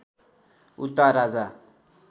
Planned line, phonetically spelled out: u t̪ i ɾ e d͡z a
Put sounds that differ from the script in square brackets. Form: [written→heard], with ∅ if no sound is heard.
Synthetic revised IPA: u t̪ [i→a] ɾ [e→a] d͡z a